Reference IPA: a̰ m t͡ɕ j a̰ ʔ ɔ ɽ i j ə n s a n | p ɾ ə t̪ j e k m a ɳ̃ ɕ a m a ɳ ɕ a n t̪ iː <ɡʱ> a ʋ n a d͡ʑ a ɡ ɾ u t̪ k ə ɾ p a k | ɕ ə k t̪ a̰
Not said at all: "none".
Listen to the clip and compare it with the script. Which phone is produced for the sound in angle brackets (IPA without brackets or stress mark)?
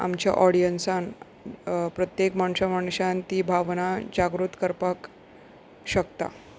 bʱ